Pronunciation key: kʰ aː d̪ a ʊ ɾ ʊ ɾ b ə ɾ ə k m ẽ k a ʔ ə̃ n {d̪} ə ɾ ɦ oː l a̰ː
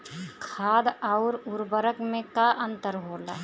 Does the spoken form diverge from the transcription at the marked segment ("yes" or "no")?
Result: yes